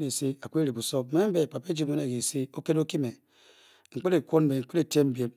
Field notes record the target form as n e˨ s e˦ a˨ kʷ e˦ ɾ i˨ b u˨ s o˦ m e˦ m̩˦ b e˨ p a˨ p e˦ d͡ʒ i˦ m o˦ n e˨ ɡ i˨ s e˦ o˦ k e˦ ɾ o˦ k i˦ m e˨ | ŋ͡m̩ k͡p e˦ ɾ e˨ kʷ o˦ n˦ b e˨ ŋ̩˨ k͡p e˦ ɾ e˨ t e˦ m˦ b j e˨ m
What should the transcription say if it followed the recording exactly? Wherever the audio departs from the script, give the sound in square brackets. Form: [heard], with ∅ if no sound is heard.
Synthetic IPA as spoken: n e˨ s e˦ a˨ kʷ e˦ ɾ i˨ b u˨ s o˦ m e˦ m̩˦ b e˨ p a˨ p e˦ d͡ʒ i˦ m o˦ n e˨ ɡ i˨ s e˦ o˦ k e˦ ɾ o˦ k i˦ m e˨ | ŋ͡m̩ k͡p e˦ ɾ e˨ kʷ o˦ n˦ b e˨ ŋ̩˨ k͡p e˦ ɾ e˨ t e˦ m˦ b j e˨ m